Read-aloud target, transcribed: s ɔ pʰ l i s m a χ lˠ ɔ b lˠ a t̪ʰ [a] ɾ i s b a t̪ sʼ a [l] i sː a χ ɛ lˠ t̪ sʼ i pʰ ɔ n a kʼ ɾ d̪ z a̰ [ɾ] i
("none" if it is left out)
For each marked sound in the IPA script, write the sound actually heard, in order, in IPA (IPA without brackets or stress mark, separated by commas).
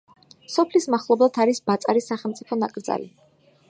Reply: a, ɾ, l